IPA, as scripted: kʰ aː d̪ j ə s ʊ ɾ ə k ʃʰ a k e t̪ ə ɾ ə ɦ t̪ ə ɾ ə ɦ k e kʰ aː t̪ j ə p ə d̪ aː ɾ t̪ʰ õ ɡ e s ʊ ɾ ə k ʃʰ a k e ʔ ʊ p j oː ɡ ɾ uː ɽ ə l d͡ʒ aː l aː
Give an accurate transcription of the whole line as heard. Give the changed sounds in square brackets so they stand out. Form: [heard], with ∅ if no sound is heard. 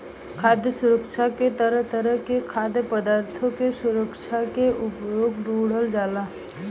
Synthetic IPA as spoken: kʰ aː d̪ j ə s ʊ ɾ ə k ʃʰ a k e t̪ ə ɾ ə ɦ t̪ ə ɾ ə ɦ k e kʰ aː [d̪] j ə p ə d̪ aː ɾ t̪ʰ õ [k] e s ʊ ɾ ə k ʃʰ a k e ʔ ʊ p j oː ɡ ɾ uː ɽ ə l d͡ʒ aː l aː